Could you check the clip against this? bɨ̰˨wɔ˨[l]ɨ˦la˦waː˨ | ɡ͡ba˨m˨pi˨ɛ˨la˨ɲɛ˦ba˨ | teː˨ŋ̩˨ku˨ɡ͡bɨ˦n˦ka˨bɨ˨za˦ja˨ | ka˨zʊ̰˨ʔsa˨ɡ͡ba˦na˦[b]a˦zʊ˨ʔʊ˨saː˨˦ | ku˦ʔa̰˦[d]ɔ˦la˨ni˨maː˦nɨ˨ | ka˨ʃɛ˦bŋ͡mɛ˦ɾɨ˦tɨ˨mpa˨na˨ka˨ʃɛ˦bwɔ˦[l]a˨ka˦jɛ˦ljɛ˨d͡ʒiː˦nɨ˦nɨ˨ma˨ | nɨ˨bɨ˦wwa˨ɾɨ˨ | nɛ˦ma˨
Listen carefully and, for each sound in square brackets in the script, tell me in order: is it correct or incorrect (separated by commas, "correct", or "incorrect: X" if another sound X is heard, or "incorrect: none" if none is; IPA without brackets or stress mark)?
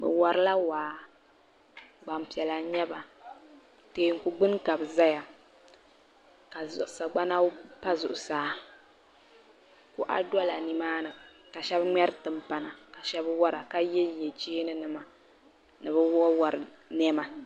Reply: incorrect: ɾ, incorrect: p, correct, incorrect: ɾ